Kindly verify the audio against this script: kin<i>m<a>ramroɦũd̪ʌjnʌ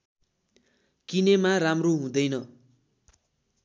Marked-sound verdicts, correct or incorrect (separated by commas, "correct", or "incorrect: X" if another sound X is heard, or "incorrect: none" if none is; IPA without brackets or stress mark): incorrect: e, correct